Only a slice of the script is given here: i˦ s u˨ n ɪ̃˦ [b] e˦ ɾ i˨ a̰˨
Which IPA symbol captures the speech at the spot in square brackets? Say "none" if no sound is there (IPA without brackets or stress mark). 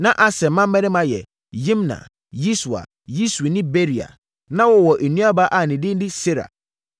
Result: b